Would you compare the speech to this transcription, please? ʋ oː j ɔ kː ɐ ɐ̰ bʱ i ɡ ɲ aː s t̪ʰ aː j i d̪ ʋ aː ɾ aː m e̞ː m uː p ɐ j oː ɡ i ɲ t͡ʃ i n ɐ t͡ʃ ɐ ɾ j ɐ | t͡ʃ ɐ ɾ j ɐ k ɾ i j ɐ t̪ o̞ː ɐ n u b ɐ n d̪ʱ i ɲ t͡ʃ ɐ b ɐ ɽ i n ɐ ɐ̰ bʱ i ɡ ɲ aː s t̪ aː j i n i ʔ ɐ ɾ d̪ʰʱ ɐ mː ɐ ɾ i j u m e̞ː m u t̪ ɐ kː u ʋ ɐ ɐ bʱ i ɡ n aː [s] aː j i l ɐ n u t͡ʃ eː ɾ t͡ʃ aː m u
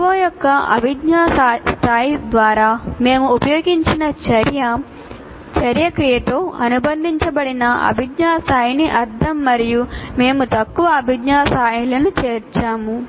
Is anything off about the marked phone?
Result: no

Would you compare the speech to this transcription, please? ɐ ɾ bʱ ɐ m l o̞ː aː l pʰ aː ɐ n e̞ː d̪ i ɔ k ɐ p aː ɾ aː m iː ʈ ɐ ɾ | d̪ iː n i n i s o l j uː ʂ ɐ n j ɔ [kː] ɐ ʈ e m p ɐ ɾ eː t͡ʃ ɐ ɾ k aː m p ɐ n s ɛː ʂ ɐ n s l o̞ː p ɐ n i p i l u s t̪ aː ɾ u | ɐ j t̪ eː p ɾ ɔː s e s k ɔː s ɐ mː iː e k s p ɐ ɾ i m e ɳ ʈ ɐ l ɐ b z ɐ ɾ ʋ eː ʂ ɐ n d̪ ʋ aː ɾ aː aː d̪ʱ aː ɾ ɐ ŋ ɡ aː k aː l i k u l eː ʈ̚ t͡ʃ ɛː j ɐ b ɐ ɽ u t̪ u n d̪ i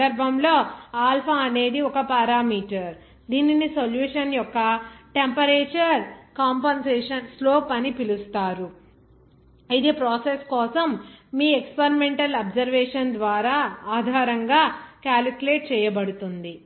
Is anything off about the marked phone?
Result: no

